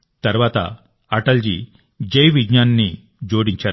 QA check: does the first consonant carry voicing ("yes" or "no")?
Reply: no